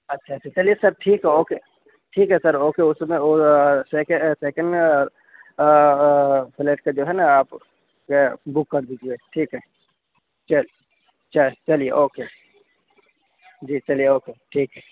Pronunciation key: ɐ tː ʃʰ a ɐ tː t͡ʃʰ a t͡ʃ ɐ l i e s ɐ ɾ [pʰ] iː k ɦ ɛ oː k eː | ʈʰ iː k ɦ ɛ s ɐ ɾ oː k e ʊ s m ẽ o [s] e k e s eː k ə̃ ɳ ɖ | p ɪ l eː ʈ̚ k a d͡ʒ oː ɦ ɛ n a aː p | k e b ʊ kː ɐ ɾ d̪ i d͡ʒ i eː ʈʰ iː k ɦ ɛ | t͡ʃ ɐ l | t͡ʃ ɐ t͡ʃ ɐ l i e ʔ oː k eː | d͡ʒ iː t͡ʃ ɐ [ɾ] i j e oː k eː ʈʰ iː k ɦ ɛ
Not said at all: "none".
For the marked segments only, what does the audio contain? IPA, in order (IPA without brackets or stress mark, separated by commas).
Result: ʈʰ, s, l